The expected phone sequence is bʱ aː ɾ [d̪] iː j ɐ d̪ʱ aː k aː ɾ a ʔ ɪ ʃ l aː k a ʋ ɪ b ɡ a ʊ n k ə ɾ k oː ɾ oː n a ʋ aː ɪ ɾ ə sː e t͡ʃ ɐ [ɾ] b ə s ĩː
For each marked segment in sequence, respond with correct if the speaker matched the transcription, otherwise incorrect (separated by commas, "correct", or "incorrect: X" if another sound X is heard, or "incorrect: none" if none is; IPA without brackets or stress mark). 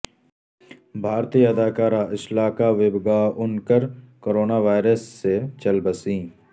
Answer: incorrect: t̪, incorrect: l